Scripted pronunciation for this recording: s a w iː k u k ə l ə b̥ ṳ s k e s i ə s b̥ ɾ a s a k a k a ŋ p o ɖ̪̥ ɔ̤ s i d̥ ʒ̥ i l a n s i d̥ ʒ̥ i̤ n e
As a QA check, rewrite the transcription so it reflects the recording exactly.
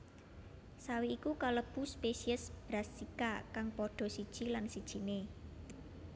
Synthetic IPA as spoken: s a w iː k u k a l ə b̥ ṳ s p e s i ə s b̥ ɾ a s i k a k a ŋ p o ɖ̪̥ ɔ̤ s i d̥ ʒ̥ i l a n s i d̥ ʒ̥ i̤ n e